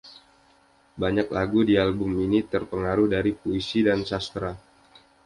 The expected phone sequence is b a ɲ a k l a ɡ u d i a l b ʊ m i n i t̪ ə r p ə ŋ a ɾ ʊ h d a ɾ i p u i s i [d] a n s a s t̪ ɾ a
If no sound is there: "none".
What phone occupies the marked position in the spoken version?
d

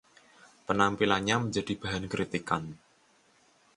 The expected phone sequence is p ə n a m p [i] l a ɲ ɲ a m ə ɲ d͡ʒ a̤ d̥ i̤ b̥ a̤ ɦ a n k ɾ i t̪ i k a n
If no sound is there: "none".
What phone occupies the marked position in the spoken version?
i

